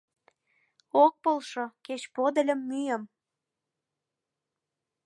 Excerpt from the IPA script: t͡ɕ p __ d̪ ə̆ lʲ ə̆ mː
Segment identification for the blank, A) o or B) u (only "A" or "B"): A